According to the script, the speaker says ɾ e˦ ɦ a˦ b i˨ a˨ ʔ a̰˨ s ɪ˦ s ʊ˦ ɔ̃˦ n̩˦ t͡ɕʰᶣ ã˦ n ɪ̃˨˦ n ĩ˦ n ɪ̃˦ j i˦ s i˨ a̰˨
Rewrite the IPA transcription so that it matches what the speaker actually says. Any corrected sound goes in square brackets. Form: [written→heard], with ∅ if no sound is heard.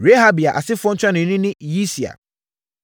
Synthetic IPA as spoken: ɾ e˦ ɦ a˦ b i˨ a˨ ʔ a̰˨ s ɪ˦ [s→f] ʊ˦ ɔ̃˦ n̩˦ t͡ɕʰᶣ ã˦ n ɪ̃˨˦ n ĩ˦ n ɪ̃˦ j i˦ s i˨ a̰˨

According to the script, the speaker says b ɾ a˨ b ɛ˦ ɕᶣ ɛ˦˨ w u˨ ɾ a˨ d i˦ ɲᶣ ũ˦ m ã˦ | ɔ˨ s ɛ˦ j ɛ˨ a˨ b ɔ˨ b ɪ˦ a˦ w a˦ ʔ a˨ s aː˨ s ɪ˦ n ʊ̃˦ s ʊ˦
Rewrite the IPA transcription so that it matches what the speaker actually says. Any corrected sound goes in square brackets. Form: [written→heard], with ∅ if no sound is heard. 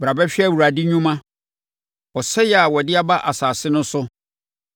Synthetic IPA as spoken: b ɾ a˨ b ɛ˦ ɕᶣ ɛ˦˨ w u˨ ɾ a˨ d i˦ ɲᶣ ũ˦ m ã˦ | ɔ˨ s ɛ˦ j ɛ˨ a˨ [b→w] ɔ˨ [b→d] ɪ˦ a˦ [w→b] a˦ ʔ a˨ s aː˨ s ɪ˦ n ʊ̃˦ s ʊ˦

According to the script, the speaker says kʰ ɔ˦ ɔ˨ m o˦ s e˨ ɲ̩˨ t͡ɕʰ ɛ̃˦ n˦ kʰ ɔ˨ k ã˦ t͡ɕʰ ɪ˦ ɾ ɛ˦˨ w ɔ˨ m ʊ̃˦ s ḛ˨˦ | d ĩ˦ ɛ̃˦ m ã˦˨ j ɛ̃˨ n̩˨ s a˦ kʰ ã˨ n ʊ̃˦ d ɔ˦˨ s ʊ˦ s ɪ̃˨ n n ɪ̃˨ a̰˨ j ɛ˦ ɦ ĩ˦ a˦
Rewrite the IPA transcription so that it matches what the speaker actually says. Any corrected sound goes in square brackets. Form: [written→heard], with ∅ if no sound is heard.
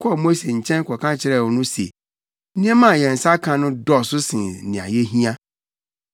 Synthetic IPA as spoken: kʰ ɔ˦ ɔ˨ m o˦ s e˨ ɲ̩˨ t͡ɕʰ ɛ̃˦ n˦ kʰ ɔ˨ k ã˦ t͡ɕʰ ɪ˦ ɾ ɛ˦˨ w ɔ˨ [m→n] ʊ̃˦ s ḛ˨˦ | [d→n] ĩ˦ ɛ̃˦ m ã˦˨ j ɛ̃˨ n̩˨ s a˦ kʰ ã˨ n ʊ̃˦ d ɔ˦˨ s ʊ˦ s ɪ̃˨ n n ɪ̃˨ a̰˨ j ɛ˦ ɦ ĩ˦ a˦

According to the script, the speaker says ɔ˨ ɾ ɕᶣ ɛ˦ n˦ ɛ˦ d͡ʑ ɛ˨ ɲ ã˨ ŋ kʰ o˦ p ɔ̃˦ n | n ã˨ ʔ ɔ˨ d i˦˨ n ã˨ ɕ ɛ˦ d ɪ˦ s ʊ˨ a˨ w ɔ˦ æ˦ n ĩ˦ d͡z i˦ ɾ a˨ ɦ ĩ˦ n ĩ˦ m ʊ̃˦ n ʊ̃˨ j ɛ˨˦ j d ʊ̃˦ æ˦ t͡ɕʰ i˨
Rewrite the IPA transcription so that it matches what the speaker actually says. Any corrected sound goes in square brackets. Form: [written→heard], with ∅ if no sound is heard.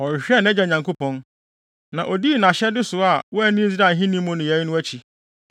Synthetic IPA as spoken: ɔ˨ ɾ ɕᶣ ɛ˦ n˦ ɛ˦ d͡ʑ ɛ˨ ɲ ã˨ ŋ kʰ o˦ p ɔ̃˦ n | n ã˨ ʔ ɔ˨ d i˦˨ n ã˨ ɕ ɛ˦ d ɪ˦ s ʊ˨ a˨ w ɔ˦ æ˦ n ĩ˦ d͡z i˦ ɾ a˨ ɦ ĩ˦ n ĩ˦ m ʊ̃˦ n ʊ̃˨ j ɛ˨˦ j [d→n] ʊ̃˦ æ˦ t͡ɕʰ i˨

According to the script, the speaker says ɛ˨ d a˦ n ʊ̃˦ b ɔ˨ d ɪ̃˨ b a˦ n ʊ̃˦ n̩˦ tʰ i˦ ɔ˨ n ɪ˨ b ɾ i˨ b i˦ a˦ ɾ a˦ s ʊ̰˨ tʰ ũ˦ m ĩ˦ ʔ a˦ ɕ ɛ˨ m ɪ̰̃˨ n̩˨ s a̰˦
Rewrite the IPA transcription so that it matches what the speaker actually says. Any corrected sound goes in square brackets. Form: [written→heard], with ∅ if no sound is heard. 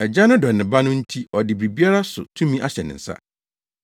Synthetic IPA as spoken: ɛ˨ [d→d͡ʑ] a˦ n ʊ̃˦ [b→d] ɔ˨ [d→n] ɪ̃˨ b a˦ n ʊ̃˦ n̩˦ tʰ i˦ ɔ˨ [n→d] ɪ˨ b ɾ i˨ b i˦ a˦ ɾ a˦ s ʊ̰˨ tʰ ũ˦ m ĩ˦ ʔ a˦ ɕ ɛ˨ [m→n] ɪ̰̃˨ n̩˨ s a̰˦

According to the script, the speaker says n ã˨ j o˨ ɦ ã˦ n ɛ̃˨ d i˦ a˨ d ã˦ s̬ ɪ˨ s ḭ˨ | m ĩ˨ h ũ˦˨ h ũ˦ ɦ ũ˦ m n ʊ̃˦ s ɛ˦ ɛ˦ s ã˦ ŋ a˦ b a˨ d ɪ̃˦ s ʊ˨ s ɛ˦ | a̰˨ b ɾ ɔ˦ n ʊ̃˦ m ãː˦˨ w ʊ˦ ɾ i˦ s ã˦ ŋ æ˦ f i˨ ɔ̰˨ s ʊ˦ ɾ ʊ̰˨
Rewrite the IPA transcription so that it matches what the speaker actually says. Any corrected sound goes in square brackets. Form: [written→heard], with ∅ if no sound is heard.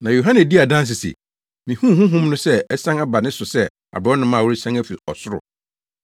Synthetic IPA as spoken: n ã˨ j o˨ ɦ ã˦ n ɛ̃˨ d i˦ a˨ d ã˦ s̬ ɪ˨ s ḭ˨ | m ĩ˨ h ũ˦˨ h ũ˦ ɦ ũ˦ m n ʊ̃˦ s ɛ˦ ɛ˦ s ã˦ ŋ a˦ b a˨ [d→n] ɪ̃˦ s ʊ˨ s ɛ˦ | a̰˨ b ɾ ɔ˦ n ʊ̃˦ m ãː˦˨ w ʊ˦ ɾ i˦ s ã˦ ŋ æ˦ f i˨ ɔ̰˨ s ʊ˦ ɾ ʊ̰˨

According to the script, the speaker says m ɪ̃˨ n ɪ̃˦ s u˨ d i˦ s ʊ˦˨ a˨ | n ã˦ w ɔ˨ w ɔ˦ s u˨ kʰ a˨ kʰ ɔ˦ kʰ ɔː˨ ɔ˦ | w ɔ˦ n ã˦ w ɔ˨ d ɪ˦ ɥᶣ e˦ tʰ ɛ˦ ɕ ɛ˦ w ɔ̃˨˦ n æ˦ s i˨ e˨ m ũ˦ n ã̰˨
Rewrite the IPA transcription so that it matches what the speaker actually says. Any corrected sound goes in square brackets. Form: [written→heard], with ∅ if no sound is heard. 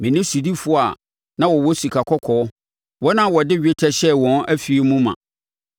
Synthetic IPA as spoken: m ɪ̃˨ n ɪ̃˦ s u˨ d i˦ [s→f] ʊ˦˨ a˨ | n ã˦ w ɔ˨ w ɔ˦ s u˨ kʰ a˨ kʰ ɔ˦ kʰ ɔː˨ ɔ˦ | w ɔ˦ n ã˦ w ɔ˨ d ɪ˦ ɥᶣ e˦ tʰ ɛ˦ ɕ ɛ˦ w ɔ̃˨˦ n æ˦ [s→f] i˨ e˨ m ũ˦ [n→m] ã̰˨

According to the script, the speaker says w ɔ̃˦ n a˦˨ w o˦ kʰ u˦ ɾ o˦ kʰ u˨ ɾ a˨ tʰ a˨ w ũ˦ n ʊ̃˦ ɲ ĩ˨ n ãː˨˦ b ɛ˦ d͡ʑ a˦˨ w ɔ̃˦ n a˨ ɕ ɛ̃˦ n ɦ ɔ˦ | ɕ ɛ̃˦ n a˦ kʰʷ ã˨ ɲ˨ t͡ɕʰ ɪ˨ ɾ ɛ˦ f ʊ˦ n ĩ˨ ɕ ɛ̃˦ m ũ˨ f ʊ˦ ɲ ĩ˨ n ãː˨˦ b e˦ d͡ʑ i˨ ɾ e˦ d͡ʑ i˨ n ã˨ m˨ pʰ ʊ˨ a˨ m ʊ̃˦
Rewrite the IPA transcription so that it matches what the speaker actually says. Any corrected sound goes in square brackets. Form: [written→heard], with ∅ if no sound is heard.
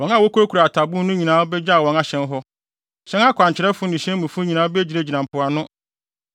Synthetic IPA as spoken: w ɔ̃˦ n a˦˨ w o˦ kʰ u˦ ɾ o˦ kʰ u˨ ɾ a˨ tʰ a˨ [w→b] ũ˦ n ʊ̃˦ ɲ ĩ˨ n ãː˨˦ b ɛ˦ d͡ʑ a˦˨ w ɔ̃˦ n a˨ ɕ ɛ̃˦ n ɦ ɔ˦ | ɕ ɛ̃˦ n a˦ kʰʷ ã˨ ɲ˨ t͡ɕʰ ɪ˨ ɾ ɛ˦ f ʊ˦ n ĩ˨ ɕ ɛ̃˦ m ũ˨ f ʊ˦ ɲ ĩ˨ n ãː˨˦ b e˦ d͡ʑ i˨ ɾ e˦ d͡ʑ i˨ n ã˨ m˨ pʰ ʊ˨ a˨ [m→n] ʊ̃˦

